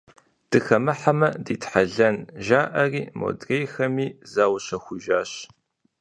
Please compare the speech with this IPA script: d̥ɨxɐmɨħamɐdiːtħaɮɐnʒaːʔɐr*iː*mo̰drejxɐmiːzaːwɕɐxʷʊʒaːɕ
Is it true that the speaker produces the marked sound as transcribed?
yes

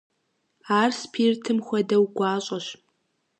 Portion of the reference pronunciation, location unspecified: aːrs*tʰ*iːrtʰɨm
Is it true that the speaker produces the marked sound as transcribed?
no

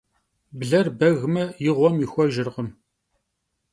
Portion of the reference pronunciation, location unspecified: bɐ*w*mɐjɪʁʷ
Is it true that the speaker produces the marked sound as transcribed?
no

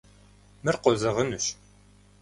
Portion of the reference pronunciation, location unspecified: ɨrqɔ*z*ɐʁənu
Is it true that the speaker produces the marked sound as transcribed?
yes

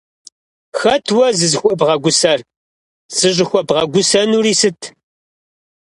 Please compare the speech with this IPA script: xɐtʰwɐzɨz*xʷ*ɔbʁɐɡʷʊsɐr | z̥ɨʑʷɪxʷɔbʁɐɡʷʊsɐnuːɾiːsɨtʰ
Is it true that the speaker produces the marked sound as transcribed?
yes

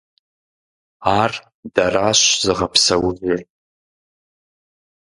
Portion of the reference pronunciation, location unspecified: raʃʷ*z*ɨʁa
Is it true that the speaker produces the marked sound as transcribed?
yes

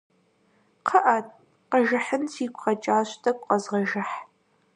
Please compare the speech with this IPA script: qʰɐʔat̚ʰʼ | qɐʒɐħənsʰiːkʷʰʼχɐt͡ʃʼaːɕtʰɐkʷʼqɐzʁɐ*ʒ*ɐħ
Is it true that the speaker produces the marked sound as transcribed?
yes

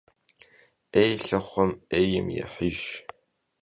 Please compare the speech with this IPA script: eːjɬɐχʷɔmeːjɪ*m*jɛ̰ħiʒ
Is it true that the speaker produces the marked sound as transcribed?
yes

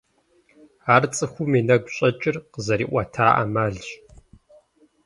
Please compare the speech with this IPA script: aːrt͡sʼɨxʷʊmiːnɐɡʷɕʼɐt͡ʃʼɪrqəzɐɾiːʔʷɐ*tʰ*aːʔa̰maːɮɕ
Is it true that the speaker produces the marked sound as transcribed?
yes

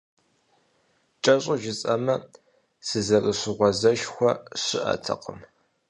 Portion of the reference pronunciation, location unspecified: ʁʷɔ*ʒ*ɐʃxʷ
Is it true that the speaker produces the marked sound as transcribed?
no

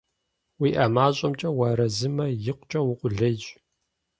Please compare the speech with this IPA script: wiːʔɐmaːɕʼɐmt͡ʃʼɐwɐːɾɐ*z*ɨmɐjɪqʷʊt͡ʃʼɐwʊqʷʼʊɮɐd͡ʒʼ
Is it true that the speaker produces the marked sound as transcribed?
yes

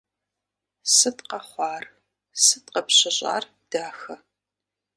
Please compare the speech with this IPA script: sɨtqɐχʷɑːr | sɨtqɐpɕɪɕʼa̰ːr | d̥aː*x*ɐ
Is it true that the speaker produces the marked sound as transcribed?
yes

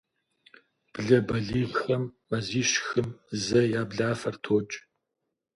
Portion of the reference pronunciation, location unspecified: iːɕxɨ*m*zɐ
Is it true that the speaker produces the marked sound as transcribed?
yes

